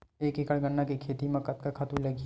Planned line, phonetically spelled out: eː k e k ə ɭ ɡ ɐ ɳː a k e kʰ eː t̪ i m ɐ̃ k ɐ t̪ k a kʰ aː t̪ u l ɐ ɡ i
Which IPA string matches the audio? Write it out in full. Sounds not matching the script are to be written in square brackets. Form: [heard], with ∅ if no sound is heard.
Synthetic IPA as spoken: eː k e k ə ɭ ɡ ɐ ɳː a k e kʰ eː t̪ i m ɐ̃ k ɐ t̪ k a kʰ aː t̪ u l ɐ ɡ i